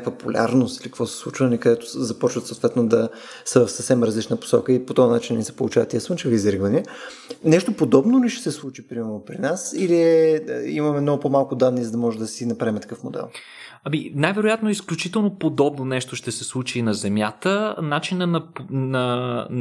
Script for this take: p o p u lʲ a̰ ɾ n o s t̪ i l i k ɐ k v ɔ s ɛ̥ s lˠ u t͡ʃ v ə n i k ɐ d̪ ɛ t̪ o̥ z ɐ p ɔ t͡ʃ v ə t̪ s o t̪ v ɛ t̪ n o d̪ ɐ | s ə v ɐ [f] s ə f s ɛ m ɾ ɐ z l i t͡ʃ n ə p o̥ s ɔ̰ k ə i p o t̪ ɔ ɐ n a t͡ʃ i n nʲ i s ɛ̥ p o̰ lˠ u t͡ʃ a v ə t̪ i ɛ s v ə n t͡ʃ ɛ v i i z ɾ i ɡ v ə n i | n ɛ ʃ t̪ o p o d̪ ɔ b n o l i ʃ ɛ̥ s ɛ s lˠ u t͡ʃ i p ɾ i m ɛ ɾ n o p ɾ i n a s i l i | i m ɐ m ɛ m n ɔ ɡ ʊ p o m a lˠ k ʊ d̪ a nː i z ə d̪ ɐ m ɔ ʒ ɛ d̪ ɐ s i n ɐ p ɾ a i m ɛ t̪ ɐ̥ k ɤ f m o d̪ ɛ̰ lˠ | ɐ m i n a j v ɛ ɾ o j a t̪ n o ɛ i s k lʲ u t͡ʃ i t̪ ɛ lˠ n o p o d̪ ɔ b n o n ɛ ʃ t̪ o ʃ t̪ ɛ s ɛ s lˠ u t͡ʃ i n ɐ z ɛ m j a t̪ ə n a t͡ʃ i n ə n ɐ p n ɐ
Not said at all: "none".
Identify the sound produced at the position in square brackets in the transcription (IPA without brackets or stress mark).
f